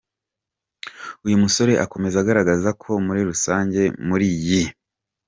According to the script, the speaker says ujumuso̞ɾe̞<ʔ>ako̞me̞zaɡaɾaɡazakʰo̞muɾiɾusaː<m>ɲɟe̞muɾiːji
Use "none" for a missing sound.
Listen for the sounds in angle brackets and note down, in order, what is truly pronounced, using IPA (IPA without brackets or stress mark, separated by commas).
ʔ, none